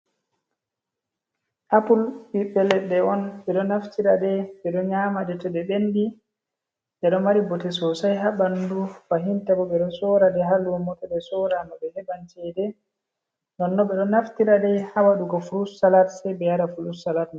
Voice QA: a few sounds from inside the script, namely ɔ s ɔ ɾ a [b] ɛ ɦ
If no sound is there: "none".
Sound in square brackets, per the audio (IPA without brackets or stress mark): d